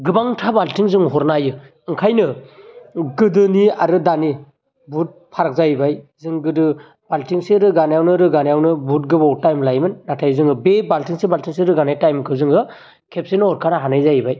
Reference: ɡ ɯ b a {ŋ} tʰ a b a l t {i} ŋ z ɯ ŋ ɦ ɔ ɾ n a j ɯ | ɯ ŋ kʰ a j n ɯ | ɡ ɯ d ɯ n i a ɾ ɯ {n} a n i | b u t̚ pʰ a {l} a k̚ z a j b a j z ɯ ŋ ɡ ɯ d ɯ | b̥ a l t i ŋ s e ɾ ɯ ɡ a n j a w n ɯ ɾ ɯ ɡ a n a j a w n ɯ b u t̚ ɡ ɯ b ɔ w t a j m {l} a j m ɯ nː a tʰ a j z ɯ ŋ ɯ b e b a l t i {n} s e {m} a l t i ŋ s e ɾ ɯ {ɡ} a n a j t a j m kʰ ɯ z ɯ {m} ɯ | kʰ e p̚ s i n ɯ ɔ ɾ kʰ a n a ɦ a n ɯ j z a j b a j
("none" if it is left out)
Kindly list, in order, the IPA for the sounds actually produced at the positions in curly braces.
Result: ŋ, i, d, ɾ, l, ŋ, b, ɡ, ŋ

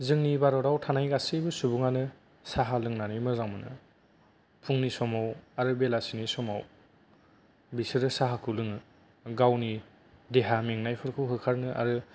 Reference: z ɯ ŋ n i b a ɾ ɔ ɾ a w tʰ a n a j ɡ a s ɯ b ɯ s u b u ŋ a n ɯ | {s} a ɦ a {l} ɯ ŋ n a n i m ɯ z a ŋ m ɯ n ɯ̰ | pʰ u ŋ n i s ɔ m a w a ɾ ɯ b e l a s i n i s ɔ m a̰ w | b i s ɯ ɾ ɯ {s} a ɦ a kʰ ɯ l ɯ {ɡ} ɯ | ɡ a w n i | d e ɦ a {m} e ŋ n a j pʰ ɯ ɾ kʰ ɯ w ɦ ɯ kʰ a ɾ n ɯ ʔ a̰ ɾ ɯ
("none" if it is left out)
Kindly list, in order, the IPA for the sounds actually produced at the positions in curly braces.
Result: s, l, s, ŋ, m

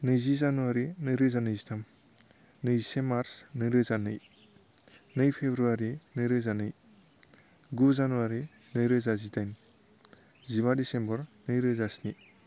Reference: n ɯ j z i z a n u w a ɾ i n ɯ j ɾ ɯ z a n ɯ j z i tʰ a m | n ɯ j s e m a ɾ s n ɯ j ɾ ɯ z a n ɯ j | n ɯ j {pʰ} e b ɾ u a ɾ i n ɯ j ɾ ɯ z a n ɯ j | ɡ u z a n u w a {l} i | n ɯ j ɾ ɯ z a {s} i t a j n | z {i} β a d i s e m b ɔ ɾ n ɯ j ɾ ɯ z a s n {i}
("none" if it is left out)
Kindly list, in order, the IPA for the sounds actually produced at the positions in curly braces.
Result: pʰ, ɾ, z, i, i

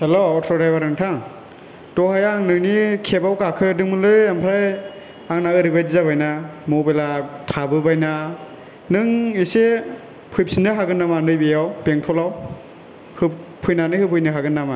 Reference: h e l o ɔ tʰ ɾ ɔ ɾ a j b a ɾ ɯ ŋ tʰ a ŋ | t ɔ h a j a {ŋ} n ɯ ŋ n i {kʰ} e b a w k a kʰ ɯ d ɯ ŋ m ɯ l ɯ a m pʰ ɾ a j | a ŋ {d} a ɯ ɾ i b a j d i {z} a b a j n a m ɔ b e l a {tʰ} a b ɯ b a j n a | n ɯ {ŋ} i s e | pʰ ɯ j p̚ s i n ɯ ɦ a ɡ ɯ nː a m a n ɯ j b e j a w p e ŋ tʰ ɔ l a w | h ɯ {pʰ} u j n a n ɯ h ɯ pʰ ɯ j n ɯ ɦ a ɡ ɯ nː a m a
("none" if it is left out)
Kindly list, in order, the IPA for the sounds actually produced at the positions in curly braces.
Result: ŋ, kʰ, n, z, tʰ, ŋ, pʰ

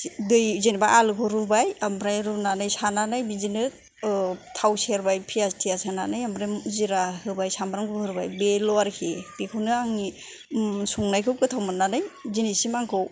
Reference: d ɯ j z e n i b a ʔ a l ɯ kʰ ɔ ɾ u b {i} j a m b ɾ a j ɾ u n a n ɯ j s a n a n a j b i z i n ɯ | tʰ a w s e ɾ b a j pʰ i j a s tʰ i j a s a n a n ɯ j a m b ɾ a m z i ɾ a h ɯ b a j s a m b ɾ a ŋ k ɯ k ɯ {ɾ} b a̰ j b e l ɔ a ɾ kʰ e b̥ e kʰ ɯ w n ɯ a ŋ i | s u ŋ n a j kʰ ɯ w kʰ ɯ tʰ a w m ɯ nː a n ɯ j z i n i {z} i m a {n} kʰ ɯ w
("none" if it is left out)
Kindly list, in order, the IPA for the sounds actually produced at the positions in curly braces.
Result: a, ɾ, s, ŋ

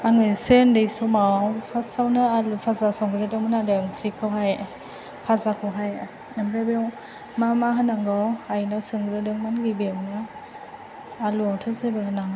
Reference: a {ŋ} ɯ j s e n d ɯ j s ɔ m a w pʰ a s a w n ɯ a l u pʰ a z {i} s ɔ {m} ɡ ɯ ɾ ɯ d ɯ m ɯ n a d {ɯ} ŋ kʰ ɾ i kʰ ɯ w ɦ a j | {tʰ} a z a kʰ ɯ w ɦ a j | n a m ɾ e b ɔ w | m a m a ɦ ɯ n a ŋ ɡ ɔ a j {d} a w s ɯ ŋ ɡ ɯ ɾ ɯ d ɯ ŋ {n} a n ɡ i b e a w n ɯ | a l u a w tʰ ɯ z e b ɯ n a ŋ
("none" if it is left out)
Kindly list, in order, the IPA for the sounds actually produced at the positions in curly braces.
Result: ŋ, a, ŋ, ɯ, pʰ, n, m

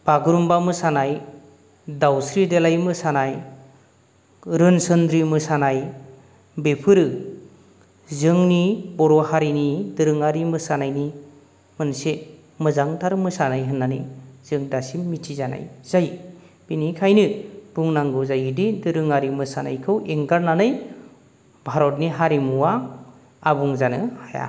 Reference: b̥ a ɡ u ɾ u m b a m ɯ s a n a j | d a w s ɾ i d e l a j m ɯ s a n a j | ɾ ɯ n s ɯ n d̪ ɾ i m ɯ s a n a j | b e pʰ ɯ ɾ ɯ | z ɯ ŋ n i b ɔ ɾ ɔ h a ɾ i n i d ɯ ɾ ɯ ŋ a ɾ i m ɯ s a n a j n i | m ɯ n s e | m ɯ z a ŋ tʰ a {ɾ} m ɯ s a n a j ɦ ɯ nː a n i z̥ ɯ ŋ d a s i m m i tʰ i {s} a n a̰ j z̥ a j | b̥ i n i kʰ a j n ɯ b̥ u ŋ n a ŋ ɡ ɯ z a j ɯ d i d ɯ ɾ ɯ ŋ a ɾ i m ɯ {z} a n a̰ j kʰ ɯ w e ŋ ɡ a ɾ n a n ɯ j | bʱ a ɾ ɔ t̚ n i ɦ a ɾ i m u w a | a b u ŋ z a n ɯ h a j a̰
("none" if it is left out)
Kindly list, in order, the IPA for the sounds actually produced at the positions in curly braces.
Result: ɾ, z, s

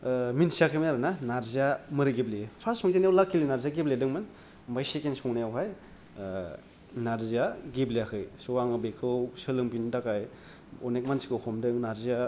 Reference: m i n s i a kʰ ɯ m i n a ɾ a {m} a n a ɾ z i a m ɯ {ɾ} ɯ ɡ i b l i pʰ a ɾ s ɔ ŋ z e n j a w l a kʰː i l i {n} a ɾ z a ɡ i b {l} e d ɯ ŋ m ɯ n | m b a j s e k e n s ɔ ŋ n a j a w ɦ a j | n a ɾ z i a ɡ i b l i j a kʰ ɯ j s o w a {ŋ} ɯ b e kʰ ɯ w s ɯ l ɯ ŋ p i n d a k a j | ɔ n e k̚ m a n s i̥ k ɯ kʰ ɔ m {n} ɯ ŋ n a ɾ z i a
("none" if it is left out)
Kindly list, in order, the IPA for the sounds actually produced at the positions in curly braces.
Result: n, ɾ, n, l, ŋ, d

